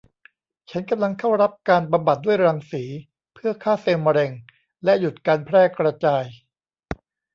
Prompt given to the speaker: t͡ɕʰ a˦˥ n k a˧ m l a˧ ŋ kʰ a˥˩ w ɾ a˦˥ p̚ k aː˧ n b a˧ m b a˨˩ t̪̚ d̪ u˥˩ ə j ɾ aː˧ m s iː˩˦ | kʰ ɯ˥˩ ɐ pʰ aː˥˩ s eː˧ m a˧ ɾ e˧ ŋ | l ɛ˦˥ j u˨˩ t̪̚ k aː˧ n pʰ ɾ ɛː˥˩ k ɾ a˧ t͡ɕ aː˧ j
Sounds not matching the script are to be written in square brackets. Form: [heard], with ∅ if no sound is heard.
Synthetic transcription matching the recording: t͡ɕʰ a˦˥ n k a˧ m l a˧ ŋ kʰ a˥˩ w ɾ a˦˥ p̚ k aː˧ n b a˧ m b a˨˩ t̪̚ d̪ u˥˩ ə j ɾ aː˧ [ŋ] s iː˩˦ | [pʰ] ɯ˥˩ ɐ [kʰ] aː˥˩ s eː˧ m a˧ ɾ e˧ ŋ | l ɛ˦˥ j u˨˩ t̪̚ k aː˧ n pʰ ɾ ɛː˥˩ k ɾ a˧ t͡ɕ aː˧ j